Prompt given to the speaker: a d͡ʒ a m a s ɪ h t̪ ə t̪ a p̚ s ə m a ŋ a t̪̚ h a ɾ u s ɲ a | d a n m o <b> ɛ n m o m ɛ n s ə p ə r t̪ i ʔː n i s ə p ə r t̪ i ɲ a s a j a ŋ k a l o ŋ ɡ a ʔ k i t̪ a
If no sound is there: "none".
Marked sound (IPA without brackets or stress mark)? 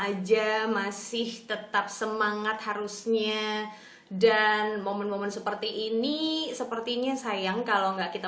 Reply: m